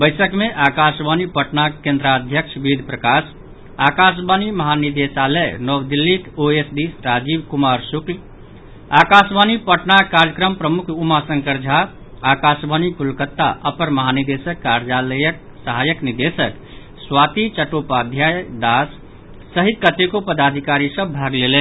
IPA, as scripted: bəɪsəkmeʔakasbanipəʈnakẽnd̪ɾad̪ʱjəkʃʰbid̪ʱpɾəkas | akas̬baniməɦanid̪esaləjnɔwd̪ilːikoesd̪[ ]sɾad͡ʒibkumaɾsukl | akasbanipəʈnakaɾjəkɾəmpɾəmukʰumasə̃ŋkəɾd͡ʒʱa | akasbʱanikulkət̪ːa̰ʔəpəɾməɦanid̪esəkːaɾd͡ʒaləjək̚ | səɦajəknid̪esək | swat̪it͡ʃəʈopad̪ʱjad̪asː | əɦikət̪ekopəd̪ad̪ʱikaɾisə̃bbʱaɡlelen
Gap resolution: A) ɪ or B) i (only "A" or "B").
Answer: B